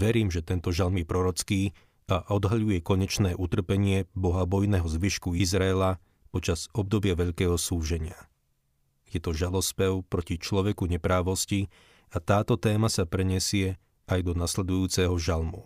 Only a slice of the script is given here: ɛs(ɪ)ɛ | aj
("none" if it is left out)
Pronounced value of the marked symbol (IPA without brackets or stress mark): ɪ